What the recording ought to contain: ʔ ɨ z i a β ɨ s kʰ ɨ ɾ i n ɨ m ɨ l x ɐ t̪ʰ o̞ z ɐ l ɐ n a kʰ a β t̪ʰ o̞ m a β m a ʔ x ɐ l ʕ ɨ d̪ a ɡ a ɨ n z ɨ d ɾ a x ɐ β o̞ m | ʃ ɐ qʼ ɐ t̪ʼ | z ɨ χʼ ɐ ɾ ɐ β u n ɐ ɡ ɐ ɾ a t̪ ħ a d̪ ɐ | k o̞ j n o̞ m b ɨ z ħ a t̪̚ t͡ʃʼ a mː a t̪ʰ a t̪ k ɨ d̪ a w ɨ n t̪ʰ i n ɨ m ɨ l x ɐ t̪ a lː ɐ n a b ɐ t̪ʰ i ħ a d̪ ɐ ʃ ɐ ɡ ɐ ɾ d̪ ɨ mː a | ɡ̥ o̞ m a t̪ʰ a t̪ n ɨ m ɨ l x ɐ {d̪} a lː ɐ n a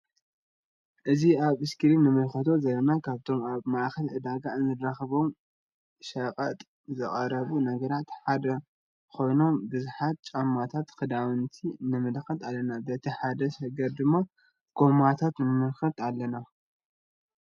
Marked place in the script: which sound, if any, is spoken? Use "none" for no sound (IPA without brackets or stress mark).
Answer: t̪